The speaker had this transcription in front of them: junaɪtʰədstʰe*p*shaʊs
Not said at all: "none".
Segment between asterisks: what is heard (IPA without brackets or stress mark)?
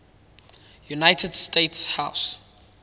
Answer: t